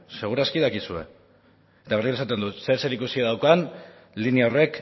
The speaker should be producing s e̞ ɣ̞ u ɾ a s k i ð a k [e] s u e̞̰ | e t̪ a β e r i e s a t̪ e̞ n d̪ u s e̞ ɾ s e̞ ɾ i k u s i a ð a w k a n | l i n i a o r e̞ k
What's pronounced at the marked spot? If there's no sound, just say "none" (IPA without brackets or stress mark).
i